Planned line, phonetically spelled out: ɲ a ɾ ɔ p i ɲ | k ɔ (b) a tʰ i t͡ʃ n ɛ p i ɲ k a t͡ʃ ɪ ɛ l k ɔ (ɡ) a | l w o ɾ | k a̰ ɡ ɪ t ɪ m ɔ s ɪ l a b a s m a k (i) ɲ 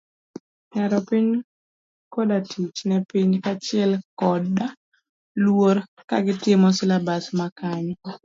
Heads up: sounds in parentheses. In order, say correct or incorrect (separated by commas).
incorrect, incorrect, incorrect